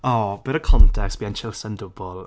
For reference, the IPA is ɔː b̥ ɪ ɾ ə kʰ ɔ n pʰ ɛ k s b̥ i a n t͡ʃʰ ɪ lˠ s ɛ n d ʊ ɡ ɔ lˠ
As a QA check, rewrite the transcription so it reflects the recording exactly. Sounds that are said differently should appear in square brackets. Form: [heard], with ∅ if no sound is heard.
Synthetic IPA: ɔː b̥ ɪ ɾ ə kʰ ɔ n [tʰ] ɛ k s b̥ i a n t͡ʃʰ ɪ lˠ s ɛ n d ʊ [b] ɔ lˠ